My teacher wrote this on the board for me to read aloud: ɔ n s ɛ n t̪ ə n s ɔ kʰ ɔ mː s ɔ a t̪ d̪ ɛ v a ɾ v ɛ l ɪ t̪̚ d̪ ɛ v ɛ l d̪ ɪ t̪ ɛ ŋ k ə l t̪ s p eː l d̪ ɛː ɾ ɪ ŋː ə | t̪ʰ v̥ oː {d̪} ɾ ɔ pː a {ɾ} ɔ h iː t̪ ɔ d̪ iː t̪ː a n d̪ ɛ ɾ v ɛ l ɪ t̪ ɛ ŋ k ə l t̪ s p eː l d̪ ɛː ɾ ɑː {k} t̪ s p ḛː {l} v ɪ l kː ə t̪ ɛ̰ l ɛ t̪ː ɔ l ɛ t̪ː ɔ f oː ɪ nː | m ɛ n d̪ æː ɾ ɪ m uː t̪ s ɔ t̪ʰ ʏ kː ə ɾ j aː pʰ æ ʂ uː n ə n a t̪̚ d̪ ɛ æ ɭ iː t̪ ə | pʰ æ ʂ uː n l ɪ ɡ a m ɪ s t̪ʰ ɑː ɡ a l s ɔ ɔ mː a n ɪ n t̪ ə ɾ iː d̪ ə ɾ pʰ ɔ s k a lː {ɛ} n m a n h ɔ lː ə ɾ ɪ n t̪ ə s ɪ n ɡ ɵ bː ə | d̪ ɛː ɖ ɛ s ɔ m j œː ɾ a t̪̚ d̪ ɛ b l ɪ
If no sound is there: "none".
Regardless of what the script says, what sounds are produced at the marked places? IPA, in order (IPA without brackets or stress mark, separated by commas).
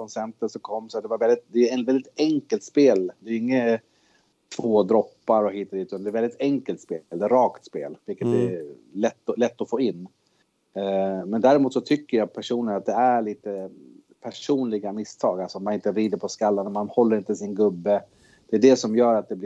d̪, ɾ, k, l, a